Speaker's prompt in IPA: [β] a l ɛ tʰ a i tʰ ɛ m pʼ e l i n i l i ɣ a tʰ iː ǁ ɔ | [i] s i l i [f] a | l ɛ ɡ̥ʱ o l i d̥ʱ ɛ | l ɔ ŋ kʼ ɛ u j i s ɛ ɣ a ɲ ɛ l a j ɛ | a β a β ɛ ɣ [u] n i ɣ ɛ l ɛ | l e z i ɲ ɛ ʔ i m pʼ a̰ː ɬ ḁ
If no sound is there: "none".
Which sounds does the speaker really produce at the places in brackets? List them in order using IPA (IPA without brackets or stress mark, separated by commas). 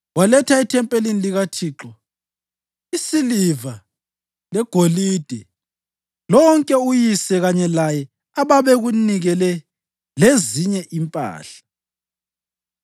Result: w, i, v, u